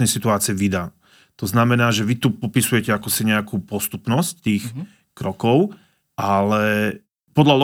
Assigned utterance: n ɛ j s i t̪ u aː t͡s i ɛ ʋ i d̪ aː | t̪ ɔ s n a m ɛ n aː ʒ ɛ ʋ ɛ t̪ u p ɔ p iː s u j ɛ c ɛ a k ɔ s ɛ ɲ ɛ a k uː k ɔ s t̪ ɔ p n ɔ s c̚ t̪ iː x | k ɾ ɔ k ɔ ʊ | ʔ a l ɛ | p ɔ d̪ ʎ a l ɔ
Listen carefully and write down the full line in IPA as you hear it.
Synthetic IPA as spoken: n ɛ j s i t̪ u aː t͡s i ɛ ʋ i d̪ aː | t̪ ɔ z n a m ɛ n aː ʒ ɛ ʋ i t̪ u p ɔ p i s u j ɛ c ɛ a k ɔ s i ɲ ɛ a k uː p ɔ s t̪ u p n ɔ s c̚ t̪ iː x | k ɾ ɔ k ɔ ʊ | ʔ a l ɛ | p ɔ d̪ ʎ a l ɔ